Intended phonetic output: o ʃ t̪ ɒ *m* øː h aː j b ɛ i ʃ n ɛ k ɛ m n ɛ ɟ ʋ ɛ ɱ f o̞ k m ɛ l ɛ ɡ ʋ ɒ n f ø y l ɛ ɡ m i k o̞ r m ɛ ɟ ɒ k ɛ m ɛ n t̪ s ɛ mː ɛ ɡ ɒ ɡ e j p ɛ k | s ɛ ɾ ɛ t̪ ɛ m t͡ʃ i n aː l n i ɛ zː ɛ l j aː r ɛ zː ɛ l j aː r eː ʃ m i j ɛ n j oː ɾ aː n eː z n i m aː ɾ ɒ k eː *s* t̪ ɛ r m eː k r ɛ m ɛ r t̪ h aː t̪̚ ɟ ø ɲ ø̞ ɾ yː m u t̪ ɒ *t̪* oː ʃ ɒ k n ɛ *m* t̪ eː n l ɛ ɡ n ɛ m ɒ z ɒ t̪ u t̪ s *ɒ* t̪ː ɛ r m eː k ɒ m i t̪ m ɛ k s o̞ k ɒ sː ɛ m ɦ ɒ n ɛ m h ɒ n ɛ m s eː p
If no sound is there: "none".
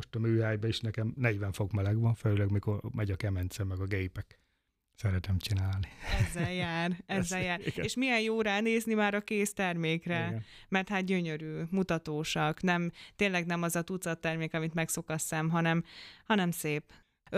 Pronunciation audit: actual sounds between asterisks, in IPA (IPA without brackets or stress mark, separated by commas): m, s, t̪, m, ɒ